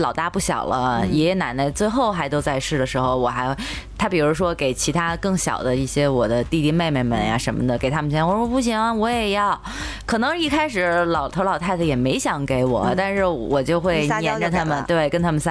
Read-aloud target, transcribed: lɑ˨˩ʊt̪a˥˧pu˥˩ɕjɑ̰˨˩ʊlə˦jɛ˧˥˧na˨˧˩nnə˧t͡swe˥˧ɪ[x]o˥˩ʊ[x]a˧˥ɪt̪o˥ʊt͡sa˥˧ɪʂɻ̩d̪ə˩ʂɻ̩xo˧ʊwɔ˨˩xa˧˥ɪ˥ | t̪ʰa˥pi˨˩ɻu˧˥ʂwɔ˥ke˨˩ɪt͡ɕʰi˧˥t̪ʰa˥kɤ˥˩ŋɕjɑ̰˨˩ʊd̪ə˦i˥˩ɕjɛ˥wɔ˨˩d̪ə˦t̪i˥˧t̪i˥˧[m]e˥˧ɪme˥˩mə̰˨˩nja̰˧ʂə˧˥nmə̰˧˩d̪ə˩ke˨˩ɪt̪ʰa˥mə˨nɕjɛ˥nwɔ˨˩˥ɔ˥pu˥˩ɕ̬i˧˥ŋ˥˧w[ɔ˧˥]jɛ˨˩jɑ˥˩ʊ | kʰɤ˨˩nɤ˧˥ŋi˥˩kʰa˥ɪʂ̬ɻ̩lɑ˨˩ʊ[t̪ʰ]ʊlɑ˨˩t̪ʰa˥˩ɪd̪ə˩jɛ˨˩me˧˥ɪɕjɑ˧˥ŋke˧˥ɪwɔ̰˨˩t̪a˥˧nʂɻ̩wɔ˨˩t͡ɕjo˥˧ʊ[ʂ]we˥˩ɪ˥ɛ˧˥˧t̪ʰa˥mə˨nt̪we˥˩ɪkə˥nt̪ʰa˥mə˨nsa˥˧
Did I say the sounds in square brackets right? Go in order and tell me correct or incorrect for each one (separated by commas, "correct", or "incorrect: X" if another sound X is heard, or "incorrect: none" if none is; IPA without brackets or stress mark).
correct, correct, correct, correct, correct, incorrect: x